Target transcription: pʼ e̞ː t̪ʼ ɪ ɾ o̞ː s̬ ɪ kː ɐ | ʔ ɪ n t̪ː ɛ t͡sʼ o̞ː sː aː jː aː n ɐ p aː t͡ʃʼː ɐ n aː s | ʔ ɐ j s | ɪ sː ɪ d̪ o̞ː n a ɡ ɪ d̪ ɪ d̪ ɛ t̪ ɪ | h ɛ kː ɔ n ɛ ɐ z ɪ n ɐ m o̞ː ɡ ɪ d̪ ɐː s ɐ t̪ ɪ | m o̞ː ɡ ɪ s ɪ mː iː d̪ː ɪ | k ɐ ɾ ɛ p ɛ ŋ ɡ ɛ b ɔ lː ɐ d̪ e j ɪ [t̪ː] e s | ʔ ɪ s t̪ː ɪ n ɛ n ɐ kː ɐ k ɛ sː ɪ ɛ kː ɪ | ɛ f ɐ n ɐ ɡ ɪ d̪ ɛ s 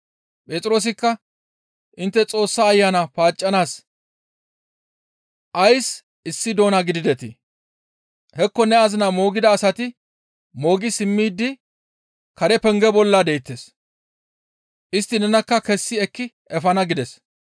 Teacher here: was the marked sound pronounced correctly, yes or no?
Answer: yes